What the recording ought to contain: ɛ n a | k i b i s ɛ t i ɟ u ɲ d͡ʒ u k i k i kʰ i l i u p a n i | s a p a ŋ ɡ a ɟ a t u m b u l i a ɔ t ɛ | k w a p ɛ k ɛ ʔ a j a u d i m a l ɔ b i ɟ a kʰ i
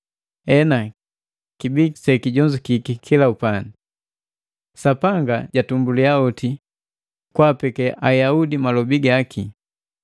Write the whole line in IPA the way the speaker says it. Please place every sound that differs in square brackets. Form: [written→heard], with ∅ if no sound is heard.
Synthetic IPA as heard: ɛ n a | k i b i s ɛ [t→k] i ɟ [u→ɔ] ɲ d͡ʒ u k i k i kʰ i l [i→a] u p a n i | s a p a ŋ ɡ a ɟ a t u m b u l i a ɔ t [ɛ→i] | k w a p ɛ k ɛ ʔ a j a u d i m a l ɔ b i [ɟ→ɡ] a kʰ i